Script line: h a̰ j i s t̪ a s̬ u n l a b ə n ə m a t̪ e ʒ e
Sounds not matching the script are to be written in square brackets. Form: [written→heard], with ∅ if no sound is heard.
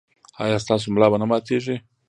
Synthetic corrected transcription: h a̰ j [i→a] s t̪ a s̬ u [n→m] l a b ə n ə m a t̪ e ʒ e